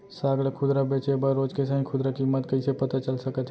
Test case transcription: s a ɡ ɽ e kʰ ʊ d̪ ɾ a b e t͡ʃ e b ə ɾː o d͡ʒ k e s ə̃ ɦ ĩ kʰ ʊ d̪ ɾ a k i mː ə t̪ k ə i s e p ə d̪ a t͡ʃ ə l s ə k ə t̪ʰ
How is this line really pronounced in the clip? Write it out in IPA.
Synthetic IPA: s a ɡ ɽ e kʰ ʊ d̪ ɾ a b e t͡ʃ e b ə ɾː o d͡ʒ k e s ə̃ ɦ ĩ kʰ ʊ d̪ ɾ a k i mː ə t̪ k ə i s e p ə t̪ a t͡ʃ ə l s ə k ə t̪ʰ